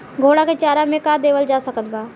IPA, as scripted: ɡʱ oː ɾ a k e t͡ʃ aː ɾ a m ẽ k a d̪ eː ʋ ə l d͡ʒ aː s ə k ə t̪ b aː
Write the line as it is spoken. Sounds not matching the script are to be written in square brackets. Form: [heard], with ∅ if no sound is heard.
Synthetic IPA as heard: ɡʱ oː [ɽ] a k e t͡ʃ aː ɾ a m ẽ k a d̪ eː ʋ ə l d͡ʒ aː s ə k ə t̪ b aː